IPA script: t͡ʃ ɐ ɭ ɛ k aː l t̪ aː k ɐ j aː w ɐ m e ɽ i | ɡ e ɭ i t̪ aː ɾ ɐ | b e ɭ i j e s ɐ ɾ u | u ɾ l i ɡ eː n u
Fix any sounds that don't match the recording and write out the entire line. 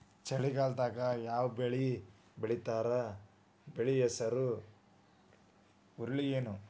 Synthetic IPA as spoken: t͡ʃ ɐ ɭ i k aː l t̪ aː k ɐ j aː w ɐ b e ɭ i | b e ɭ i t̪ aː ɾ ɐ | b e ɭ i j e s ɐ ɾ u | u ɾ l i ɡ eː n u